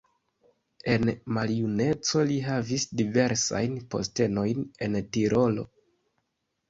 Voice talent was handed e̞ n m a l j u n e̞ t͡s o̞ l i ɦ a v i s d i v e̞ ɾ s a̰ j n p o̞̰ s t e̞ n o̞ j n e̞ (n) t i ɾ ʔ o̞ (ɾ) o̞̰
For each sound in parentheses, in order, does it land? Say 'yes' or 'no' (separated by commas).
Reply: yes, no